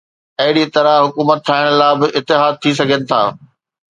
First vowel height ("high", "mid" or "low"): low